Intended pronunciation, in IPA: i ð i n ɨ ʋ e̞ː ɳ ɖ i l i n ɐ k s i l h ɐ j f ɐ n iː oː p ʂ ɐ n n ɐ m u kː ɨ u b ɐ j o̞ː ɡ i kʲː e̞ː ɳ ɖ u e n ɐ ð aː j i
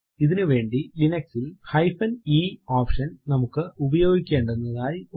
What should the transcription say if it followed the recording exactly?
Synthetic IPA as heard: i ð i n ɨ ʋ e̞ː ɳ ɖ i l i n ɐ k s i l h ɐ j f ɐ n iː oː p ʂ ɐ n n ɐ m u kː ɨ u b ɐ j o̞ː ɡ i kʲː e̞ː ɳ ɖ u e nː ɐ ð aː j i